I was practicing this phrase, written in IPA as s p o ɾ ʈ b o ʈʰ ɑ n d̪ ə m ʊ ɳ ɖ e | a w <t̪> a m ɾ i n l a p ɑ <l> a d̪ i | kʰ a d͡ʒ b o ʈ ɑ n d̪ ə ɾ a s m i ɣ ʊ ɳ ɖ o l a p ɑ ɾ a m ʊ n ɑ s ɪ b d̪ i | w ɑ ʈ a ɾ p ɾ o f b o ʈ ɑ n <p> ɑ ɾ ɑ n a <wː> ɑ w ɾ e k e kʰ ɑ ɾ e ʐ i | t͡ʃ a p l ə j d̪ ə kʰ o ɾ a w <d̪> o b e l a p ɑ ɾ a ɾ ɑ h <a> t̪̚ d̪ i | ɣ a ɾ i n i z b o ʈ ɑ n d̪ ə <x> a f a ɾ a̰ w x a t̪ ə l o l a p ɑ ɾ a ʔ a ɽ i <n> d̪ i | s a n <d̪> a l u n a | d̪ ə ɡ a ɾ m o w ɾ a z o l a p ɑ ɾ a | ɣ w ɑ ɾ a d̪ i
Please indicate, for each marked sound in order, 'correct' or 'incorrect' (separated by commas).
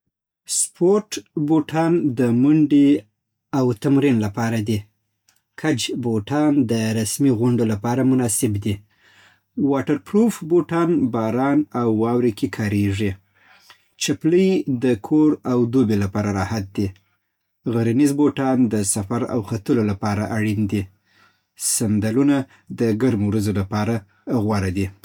correct, incorrect, incorrect, correct, correct, correct, incorrect, correct, correct